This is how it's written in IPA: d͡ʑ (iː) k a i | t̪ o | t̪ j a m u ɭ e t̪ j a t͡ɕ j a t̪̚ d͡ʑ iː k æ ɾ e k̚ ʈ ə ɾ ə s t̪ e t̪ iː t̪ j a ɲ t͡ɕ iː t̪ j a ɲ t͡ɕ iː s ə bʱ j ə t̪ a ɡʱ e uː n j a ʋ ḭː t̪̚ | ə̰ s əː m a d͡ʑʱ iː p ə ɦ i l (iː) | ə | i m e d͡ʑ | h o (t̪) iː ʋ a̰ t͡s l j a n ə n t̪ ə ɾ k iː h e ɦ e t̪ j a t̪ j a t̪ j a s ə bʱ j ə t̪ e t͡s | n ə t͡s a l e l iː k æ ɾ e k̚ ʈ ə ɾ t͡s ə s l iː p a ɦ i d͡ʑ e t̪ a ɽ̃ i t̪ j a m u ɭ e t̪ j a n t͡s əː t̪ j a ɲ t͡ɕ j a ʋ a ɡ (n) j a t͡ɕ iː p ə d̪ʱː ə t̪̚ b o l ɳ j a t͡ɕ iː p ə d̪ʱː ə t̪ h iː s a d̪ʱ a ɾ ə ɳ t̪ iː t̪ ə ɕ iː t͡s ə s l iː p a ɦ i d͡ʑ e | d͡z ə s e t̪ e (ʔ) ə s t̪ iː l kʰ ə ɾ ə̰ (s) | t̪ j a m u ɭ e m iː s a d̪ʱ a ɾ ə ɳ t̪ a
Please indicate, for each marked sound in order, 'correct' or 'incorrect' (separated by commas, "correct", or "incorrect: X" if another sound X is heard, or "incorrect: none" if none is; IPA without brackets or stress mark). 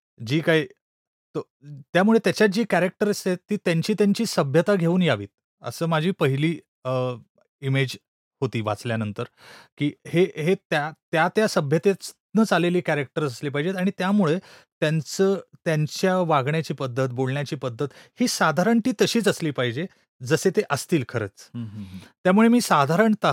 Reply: correct, correct, correct, incorrect: ɳ, correct, incorrect: t͡s